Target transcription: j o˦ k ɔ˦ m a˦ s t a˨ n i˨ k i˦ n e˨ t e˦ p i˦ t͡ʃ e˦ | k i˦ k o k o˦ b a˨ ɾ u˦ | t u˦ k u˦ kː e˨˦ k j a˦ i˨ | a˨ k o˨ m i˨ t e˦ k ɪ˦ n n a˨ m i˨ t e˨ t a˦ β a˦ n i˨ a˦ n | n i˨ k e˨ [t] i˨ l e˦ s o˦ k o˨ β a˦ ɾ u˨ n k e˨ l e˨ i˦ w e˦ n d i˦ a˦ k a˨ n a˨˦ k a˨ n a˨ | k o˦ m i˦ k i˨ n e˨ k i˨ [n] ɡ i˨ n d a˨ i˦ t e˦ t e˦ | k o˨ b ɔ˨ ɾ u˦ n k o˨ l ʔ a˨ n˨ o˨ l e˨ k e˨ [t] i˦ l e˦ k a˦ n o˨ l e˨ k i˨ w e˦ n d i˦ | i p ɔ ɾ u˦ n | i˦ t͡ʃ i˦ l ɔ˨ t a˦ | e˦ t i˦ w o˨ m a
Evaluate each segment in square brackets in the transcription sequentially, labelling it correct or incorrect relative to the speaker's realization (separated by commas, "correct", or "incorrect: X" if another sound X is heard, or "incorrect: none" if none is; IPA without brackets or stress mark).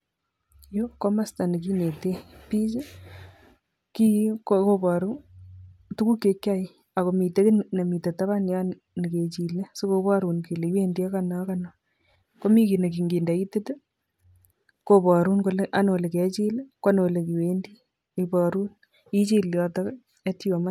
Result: incorrect: t͡ʃ, incorrect: ŋ, incorrect: t͡ʃ